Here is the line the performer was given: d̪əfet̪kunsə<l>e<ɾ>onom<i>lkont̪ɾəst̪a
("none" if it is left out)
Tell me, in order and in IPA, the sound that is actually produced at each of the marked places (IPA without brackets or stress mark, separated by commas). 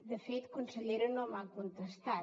ʎ, ɾ, a